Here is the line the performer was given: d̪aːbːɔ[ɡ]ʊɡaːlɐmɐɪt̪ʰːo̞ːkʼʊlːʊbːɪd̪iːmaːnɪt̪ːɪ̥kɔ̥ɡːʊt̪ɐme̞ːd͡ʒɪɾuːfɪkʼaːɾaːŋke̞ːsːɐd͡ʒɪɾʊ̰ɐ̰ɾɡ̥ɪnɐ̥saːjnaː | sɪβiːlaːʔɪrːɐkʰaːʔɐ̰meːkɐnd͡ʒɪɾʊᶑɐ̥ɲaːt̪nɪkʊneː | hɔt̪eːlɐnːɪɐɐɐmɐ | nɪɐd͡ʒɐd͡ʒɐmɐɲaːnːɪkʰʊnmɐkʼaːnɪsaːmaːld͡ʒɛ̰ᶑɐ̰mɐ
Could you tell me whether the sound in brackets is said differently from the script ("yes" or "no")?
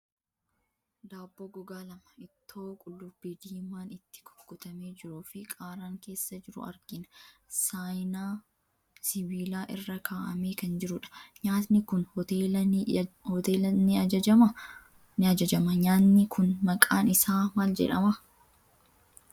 no